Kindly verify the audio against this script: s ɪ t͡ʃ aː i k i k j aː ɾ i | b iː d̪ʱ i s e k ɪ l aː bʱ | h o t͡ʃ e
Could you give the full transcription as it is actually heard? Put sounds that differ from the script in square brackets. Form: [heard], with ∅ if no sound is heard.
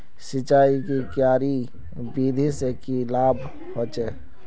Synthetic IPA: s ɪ t͡ʃ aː i k i k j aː ɾ i | b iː d̪ʱ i s e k [i] l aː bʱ | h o t͡ʃ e